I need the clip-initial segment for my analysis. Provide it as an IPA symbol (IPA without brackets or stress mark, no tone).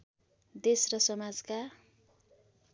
d̪